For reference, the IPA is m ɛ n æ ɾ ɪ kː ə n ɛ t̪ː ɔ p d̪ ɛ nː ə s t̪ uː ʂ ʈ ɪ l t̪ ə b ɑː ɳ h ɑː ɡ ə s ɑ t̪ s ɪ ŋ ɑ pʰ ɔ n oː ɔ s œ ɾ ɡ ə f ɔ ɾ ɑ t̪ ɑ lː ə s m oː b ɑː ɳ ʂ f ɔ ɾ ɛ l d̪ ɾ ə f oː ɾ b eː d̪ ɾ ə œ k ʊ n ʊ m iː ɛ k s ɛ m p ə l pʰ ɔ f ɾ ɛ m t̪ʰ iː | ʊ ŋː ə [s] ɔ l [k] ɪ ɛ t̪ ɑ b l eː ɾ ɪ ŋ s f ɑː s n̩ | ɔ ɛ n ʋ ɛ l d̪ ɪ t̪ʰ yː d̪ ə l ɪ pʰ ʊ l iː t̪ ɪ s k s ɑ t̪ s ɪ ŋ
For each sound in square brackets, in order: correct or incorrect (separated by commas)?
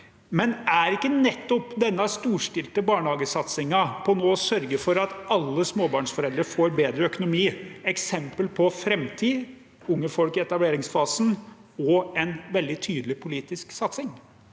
incorrect, correct